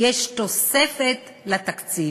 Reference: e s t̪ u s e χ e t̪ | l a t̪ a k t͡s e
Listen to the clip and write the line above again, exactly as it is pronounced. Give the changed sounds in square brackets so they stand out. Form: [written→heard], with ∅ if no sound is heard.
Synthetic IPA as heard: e [s→ʃ] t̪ [u→o] s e [χ→f] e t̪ | l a t̪ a k t͡s [e→i]